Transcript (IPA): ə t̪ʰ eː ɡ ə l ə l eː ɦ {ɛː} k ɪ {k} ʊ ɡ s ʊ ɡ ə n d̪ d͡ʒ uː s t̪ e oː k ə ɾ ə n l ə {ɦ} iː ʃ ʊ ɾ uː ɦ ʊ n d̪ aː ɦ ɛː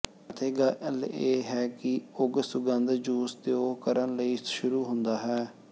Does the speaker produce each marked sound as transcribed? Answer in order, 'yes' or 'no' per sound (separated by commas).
yes, no, no